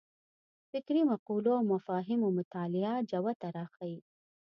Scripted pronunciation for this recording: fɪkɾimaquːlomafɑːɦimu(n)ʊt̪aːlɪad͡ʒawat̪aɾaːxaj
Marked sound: incorrect: m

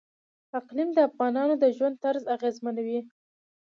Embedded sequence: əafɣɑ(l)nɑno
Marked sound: incorrect: none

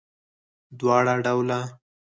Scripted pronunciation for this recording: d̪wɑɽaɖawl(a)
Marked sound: correct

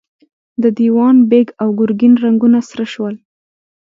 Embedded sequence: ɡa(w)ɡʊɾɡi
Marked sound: correct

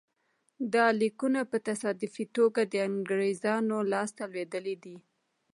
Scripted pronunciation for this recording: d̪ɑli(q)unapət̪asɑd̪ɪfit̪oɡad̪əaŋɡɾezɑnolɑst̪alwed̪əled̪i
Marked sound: incorrect: k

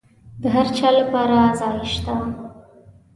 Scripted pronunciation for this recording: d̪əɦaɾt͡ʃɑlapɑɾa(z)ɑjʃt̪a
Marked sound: correct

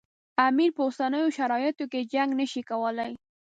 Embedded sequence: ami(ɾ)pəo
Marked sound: correct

